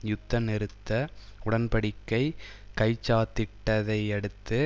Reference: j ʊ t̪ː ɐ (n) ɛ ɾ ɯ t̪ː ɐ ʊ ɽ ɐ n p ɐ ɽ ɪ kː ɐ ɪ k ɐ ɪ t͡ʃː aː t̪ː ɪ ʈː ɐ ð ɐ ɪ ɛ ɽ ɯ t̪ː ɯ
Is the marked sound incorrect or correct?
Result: correct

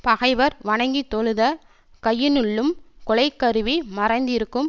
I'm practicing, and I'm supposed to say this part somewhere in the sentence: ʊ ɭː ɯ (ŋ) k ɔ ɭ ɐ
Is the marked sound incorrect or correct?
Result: incorrect: m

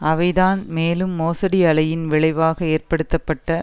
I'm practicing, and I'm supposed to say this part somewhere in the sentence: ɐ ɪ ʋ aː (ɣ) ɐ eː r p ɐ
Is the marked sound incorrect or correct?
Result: correct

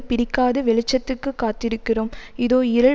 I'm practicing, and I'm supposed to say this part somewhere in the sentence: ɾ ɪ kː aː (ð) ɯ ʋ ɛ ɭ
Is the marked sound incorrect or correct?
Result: correct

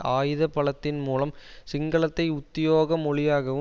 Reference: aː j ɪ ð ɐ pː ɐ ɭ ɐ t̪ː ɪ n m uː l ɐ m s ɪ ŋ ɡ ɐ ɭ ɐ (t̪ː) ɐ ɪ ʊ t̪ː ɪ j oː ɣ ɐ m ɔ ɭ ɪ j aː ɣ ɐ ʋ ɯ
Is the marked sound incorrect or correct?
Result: correct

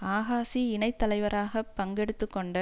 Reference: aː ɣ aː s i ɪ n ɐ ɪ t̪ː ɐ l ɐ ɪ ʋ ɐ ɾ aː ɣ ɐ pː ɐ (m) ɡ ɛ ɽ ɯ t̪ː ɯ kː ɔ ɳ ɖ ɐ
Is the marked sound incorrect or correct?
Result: incorrect: ŋ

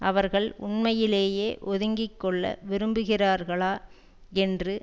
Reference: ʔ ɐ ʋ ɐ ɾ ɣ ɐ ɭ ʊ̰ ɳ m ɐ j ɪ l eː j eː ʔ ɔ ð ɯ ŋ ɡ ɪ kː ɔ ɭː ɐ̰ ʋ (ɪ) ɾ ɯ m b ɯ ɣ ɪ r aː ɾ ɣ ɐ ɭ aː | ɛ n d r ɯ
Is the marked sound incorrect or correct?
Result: correct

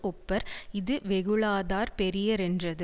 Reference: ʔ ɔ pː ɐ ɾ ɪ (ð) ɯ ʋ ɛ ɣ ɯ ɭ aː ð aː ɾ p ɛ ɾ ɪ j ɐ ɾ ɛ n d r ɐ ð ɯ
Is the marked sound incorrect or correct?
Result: correct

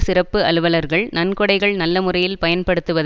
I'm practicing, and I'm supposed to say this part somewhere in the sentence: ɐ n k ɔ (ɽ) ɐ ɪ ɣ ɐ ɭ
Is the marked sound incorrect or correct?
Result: correct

